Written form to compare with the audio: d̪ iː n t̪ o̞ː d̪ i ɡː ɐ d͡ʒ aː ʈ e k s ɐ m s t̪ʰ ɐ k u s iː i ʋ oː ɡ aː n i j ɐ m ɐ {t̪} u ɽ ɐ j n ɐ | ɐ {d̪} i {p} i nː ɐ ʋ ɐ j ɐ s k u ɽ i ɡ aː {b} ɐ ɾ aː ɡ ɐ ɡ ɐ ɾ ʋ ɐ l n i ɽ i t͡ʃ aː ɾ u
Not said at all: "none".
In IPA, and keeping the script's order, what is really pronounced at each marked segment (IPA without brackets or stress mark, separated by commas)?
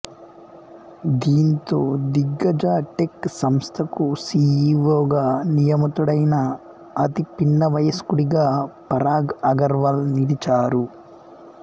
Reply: t̪, t̪, p, p